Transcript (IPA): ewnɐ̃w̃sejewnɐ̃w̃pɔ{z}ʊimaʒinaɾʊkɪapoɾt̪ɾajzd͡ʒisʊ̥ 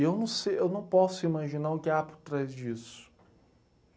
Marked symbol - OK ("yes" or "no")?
no